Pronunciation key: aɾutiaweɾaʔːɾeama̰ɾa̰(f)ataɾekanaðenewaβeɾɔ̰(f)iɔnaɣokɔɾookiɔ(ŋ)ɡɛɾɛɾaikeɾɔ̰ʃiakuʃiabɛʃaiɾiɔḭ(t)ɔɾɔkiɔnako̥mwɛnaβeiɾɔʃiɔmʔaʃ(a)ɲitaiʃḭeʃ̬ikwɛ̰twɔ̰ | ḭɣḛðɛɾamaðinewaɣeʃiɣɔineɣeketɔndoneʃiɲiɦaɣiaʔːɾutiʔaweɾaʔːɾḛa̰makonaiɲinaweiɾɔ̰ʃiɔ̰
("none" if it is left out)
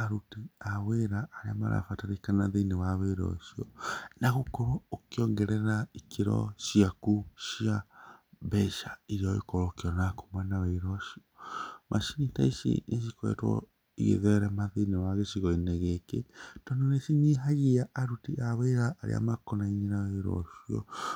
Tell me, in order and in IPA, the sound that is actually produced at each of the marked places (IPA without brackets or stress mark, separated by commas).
f, ʃ, ŋ, k, i